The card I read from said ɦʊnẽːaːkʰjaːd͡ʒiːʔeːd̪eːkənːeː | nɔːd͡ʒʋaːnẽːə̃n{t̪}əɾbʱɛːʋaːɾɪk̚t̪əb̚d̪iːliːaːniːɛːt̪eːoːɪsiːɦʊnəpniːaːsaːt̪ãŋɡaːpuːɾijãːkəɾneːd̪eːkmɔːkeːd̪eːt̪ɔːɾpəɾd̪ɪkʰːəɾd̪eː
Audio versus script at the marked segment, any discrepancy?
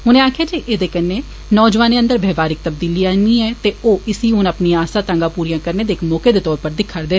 yes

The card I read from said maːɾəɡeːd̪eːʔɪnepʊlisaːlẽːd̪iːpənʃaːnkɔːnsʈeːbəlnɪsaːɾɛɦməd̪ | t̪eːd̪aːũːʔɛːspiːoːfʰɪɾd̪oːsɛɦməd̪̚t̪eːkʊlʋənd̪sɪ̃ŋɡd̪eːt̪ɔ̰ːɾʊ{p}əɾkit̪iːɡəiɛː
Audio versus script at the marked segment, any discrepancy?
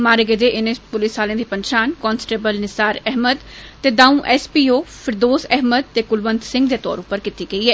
no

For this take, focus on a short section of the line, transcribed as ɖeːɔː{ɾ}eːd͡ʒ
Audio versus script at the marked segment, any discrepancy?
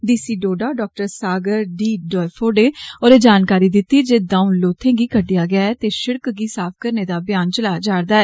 no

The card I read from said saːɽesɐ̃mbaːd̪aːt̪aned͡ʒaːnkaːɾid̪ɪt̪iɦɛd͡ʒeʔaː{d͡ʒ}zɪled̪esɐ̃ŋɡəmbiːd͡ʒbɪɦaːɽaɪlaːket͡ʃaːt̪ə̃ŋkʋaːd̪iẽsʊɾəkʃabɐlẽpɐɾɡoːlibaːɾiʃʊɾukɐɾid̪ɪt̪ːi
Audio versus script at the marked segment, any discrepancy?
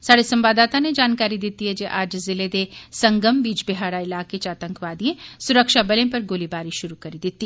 no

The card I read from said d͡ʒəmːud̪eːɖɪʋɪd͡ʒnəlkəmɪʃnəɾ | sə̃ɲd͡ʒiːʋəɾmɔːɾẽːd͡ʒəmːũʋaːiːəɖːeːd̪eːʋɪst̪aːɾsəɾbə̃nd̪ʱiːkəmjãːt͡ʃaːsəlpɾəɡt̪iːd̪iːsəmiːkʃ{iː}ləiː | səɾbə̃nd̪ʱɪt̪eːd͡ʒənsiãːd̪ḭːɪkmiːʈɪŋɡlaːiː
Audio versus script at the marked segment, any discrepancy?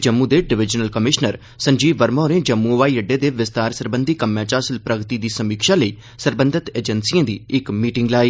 yes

